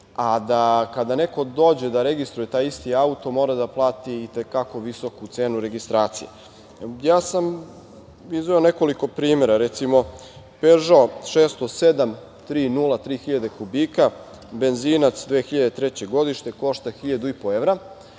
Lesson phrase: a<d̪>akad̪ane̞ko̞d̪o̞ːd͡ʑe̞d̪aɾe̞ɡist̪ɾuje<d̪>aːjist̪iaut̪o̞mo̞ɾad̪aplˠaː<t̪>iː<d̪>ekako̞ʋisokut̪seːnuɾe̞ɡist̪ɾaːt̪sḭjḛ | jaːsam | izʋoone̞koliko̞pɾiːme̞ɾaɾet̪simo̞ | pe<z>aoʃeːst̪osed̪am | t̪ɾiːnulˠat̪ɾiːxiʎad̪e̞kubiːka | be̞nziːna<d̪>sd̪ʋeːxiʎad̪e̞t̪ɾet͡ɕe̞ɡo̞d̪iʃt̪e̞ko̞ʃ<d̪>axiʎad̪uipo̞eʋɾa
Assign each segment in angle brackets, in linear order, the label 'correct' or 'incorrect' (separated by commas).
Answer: correct, incorrect, correct, incorrect, incorrect, incorrect, incorrect